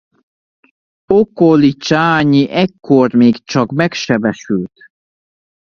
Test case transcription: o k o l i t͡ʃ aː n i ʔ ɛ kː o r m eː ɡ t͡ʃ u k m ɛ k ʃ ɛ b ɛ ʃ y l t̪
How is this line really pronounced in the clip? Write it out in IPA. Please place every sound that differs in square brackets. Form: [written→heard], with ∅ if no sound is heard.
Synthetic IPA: o k o l i t͡ʃ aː [n→ɲ] i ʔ ɛ kː o r m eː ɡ t͡ʃ [u→ɒ] k m ɛ k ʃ ɛ b ɛ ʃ y l t̪